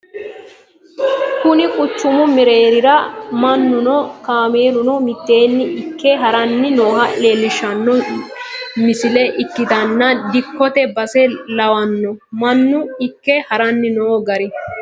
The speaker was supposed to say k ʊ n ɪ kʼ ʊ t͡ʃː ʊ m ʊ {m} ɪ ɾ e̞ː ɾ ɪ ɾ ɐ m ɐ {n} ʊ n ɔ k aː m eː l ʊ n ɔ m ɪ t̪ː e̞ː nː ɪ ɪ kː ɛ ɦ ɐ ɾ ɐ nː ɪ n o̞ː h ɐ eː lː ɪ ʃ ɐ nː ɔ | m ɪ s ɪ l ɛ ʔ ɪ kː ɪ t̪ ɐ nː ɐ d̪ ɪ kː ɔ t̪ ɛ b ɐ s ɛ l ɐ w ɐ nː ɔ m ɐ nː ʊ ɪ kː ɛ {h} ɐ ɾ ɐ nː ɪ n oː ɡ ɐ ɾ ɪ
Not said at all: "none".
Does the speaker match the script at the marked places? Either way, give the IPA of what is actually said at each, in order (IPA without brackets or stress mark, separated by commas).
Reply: m, nː, h